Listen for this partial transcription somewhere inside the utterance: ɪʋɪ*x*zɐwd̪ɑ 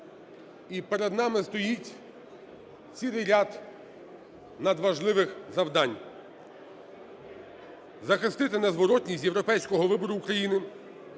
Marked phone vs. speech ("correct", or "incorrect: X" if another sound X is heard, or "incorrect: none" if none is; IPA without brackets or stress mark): correct